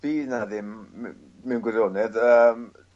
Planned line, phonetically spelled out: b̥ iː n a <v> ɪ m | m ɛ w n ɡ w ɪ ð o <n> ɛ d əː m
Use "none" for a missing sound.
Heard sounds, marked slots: ð, n

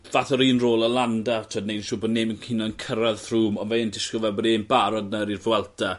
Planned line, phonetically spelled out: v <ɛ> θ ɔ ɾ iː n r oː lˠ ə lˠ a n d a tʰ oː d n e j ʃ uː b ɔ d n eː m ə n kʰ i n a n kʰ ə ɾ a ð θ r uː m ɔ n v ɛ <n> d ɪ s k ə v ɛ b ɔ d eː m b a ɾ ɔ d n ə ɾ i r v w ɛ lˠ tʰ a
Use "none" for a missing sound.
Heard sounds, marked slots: a, n

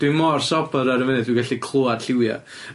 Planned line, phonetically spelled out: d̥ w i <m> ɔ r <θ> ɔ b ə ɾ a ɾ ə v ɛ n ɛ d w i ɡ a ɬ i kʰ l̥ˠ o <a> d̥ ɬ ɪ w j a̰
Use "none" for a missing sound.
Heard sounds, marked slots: m, s, a

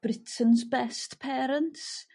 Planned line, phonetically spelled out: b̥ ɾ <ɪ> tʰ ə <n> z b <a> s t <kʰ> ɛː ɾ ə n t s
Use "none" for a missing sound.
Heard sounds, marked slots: ɪ, n, ɛ, pʰ

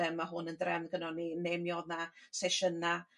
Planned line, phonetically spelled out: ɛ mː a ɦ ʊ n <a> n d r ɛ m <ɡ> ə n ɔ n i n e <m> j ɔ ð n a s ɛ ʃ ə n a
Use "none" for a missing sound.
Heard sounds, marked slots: ə, ɡ, m

